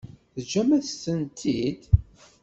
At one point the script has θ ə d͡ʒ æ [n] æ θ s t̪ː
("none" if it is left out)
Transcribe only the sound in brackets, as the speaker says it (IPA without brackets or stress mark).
m